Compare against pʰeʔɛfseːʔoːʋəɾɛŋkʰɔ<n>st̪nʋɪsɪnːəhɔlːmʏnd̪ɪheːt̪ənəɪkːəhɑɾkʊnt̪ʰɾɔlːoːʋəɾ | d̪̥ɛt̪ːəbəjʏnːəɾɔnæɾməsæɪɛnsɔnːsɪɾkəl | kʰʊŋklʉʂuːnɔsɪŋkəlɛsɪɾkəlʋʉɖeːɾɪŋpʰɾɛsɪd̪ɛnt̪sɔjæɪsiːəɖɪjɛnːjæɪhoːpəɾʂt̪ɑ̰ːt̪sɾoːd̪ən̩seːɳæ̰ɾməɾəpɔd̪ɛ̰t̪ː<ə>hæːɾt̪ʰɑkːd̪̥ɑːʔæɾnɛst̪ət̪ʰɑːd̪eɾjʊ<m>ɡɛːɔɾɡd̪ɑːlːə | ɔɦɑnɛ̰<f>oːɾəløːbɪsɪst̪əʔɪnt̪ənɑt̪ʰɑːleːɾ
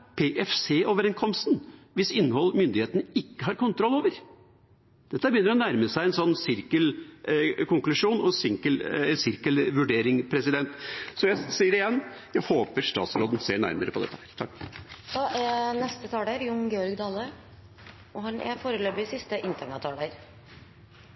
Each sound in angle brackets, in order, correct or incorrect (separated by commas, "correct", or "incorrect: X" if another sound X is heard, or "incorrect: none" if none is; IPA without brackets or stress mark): incorrect: m, correct, incorrect: ŋ, correct